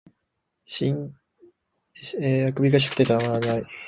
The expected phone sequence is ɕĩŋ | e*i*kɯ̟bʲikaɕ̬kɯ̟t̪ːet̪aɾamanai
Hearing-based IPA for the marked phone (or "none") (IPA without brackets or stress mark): a